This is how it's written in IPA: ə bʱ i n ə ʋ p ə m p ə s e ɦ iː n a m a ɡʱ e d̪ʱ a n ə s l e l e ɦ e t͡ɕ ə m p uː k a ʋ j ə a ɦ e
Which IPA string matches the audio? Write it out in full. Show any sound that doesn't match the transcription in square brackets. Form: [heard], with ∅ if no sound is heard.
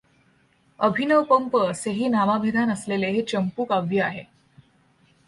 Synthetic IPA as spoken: ə bʱ i n ə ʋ p ə m p ə s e ɦ iː n a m a [bʱ] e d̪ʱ a n ə s l e l e ɦ e t͡ɕ ə m p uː k a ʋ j ə a ɦ e